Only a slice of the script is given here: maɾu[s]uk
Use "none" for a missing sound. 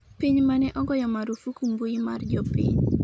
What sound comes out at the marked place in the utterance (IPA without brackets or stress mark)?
f